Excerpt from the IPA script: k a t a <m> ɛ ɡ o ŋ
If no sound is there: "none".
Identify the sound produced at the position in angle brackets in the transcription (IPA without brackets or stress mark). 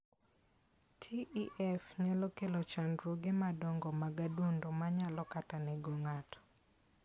n